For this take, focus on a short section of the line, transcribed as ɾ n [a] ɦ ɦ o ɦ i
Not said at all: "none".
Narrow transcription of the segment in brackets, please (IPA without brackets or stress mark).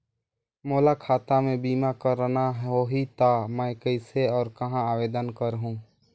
a